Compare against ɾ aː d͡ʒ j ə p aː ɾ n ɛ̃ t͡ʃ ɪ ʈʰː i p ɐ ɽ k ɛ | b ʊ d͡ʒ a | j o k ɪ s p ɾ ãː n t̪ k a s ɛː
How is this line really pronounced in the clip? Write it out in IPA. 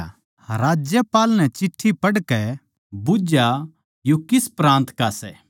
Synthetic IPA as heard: ɾ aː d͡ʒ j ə p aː l n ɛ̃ t͡ʃ ɪ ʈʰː i p ɐ ɽ k ɛ | b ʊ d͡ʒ a | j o k ɪ s p ɾ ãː n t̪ k a s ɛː